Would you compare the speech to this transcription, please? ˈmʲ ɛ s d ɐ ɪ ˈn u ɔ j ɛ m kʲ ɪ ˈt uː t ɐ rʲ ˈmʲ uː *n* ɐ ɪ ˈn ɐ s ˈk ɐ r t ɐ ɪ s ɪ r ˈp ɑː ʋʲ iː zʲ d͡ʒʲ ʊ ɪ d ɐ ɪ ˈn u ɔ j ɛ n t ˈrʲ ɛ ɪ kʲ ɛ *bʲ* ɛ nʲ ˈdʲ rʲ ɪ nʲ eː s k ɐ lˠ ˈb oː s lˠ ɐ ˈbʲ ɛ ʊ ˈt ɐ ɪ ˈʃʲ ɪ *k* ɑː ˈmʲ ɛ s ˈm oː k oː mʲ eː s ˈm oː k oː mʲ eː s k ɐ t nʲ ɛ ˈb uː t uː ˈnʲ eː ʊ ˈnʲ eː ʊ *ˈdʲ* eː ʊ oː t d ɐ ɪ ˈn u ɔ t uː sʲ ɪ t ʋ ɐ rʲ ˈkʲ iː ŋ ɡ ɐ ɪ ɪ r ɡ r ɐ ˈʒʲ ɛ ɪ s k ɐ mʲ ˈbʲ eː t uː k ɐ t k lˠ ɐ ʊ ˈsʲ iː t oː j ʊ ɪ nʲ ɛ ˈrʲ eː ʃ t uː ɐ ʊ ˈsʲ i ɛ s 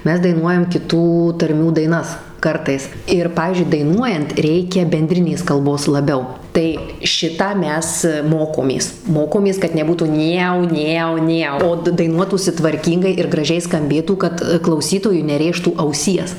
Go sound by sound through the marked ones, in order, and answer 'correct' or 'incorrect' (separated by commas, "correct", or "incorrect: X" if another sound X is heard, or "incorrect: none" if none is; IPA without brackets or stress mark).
incorrect: d, correct, incorrect: t, incorrect: nʲ